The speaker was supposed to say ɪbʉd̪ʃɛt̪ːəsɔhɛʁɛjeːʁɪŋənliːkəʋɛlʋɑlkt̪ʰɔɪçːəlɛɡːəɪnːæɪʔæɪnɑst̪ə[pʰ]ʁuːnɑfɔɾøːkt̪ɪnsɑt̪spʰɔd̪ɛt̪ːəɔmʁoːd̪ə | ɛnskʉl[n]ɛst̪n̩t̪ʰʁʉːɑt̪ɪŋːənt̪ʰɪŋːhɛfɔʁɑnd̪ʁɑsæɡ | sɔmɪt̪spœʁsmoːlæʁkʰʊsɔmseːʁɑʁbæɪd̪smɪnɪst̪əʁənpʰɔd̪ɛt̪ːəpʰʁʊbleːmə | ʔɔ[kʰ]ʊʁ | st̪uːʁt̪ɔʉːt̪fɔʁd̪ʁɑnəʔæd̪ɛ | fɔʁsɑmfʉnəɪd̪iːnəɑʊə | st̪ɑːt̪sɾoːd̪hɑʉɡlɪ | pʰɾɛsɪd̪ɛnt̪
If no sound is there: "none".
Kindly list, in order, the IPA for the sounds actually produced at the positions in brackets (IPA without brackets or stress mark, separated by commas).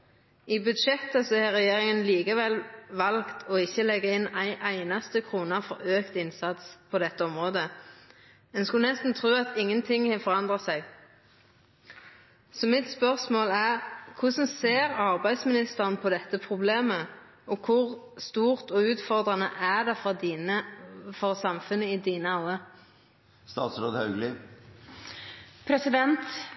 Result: kʰ, n, kʰ